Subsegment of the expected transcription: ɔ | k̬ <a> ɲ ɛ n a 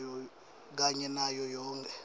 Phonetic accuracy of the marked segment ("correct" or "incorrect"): correct